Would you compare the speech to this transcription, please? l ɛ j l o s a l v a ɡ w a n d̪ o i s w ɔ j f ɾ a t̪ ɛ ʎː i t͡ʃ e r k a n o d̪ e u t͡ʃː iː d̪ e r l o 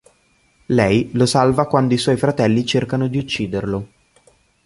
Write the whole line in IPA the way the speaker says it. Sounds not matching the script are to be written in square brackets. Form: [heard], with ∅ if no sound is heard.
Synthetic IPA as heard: l ɛ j l o s a l v a [k] w a n d̪ o i s w ɔ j f ɾ a t̪ ɛ [lː] i t͡ʃ e r k a n o d̪ [i] u t͡ʃː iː d̪ e r l o